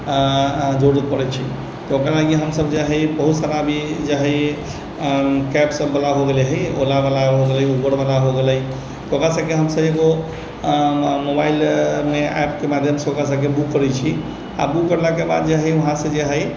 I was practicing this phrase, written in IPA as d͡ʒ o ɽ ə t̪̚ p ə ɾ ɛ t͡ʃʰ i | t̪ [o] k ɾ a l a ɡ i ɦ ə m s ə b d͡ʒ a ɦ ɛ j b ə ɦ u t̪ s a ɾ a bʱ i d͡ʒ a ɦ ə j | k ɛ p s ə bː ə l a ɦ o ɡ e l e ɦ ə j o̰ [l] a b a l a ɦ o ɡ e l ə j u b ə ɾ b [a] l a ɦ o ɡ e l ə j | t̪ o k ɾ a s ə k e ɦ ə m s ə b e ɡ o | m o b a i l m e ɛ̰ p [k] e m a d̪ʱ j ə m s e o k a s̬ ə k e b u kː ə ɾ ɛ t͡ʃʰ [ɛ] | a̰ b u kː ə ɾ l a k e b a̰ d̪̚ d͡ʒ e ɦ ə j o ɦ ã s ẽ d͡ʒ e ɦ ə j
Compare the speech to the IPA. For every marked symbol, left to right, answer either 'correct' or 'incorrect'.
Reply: correct, correct, correct, correct, incorrect

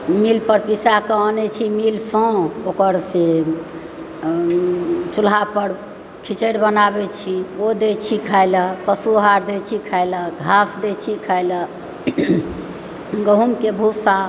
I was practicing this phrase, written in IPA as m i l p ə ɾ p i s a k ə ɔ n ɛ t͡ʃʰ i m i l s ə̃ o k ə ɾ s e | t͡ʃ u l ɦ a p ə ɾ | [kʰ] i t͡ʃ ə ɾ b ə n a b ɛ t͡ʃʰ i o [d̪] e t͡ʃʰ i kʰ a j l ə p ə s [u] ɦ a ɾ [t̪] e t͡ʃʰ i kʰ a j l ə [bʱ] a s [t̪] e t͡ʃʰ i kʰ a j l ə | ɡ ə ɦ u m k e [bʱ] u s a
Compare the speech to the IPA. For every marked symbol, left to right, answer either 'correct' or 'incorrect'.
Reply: correct, correct, correct, incorrect, incorrect, incorrect, correct

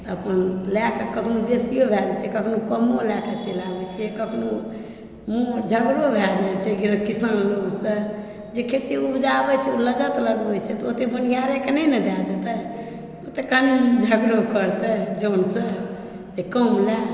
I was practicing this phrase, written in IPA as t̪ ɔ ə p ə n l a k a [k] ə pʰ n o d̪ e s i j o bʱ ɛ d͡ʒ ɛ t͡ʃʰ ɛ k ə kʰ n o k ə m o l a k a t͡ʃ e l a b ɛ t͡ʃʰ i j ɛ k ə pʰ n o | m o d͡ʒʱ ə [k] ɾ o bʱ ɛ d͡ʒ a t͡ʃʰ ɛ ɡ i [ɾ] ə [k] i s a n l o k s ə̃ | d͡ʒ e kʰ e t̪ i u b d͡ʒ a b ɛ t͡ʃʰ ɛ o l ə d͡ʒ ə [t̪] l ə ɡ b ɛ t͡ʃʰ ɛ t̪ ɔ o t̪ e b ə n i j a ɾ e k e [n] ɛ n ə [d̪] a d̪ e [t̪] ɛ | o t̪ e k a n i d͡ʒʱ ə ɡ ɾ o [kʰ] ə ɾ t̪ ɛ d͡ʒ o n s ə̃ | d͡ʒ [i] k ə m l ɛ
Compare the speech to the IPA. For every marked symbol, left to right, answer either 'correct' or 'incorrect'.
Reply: correct, incorrect, correct, correct, correct, correct, correct, correct, incorrect, incorrect

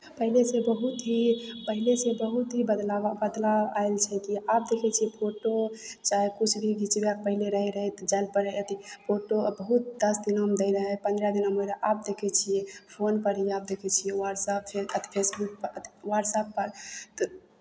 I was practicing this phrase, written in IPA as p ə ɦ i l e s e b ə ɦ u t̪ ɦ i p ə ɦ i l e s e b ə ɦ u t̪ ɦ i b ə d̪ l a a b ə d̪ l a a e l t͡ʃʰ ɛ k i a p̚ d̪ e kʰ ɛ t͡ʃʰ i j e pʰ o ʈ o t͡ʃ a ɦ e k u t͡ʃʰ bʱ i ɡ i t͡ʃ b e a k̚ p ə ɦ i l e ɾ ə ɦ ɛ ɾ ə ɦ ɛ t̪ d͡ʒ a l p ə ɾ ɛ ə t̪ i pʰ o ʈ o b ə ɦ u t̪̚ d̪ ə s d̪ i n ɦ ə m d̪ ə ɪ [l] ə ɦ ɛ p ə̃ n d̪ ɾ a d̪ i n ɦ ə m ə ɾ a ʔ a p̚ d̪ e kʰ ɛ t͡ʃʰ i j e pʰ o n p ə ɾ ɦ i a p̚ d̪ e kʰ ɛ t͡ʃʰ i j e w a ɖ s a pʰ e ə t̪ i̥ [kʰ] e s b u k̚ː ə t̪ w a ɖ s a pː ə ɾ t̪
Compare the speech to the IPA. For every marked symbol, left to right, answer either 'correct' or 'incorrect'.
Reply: incorrect, incorrect

